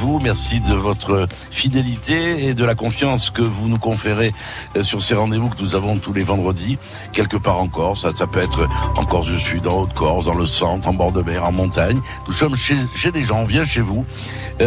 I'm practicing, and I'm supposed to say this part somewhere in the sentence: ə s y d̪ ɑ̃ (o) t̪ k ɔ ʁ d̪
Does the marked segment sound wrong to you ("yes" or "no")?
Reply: no